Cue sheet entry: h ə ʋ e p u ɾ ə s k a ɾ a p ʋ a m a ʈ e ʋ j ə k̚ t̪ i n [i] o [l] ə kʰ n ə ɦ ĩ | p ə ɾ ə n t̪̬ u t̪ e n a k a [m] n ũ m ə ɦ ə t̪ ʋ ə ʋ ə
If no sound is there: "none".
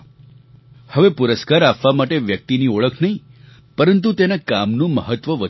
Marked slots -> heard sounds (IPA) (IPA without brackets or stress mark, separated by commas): i, ɭ, m